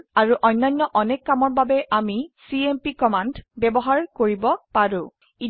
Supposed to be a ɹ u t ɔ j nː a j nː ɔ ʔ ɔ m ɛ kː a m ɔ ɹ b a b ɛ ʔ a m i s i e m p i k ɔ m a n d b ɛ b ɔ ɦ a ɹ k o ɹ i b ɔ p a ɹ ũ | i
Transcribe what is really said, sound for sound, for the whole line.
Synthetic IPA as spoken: a ɹ u ʔ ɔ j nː a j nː ɔ ʔ ɔ n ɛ kː a m ɔ ɹ b a b ɛ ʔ a m i s i e m p i k ɔ m a n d b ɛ b ɔ ɦ a ɹ k o ɹ i b ɔ p a ɹ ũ | i

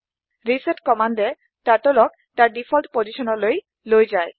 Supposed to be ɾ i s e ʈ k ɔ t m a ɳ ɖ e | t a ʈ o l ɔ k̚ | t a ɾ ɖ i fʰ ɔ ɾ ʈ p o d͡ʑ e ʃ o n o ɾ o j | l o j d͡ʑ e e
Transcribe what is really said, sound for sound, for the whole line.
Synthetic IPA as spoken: ɾ i s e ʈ k ɔ m a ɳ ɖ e | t a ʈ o l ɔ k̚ | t a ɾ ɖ i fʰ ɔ l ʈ p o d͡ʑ i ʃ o n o l o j | l o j d͡ʑ a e

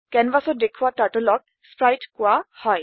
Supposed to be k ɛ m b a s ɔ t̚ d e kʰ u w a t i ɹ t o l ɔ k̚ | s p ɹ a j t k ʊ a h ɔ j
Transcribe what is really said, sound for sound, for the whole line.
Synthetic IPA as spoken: k ɛ n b a s ɔ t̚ d e kʰ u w a t a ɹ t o l ɔ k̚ | s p ɹ a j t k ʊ a h ɔ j

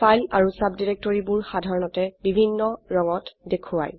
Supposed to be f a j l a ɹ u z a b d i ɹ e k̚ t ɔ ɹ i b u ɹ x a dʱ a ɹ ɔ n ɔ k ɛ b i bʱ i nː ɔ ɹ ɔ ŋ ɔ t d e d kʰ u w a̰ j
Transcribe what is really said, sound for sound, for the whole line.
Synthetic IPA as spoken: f a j l a ɹ u s a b d i ɹ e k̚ t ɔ ɹ i b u ɹ x a dʱ a ɹ ɔ n ɔ t ɛ b i bʱ i nː ɔ ɹ ɔ ŋ ɔ t d e kʰ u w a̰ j

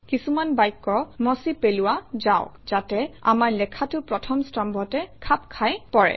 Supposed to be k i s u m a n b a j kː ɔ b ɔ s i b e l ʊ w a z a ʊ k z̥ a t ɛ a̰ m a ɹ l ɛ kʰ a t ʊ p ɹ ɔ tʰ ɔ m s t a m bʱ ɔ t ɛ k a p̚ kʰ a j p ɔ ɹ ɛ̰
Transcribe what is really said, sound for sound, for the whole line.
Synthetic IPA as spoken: k i s u m a n b a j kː ɔ m ɔ s i p e l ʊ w a z a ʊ k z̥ a t ɛ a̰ m a ɹ l ɛ kʰ a t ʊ p ɹ ɔ tʰ ɔ m s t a m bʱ ɔ t ɛ kʰ a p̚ kʰ a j p ɔ ɹ ɛ̰

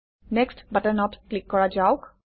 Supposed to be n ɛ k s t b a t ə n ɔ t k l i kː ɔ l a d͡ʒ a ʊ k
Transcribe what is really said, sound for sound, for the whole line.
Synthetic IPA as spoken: n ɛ k s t b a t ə n ɔ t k l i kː ɔ ɹ a d͡ʒ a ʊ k

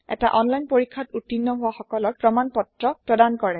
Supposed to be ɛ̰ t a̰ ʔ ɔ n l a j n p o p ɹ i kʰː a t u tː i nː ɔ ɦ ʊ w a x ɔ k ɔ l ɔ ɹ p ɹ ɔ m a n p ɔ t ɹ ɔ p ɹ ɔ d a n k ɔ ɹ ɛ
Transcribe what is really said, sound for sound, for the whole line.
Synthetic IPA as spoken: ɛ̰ t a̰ ʔ ɔ n l a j n p o ɹ i kʰː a t u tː i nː ɔ ɦ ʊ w a x ɔ k ɔ l ɔ ɹ p ɹ ɔ m a n p ɔ t ɹ ɔ p ɹ ɔ d a n k ɔ ɹ ɛ

